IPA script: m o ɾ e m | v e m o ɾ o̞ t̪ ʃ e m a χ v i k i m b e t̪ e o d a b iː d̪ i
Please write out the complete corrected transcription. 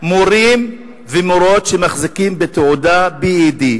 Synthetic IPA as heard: m o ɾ i m | v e m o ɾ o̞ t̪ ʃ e m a χ z i k i m b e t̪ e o d a b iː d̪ i